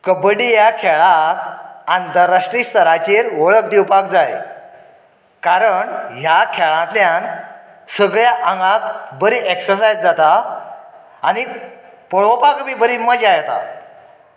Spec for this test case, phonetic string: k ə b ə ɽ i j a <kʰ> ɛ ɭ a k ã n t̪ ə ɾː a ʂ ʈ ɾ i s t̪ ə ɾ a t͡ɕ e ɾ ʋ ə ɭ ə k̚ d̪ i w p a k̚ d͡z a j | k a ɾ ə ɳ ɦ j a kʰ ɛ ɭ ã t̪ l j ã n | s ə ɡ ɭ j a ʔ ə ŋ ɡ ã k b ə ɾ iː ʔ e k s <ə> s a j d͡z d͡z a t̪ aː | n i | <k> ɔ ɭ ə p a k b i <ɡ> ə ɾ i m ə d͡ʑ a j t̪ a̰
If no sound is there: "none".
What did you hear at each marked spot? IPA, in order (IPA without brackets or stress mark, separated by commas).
kʰ, ə, p, b